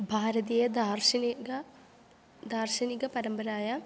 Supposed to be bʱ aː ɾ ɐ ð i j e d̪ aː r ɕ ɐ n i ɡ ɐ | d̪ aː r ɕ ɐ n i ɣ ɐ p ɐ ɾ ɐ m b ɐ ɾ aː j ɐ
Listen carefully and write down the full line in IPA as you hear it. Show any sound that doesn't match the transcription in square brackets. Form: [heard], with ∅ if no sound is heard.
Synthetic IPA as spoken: bʱ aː ɾ ɐ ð i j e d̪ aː r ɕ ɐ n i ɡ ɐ | d̪ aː r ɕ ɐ n i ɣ ɐ p ɐ ɾ ɐ m b ɐ ɾ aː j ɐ